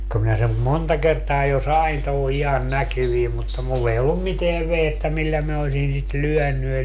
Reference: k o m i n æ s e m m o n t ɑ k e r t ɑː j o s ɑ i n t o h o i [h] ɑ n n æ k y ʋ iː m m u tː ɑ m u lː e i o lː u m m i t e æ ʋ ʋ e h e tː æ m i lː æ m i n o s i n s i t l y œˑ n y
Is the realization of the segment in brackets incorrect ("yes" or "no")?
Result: no